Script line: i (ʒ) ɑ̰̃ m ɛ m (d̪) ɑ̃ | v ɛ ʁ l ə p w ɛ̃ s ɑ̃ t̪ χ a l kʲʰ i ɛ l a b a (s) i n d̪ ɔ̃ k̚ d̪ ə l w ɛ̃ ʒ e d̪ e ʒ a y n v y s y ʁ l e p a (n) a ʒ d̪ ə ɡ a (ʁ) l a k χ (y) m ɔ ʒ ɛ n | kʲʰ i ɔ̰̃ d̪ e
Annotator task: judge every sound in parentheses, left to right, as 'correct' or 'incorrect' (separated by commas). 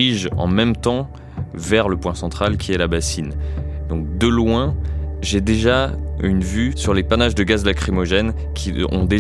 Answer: correct, incorrect, correct, correct, incorrect, incorrect